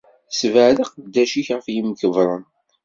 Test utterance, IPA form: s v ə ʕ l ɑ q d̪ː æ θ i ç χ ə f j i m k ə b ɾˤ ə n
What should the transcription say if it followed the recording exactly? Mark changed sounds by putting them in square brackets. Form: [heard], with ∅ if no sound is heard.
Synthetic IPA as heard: s v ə ʕ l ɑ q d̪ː æ [ʃ] i ç [ʁ] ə f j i m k ə [v] ɾˤ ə n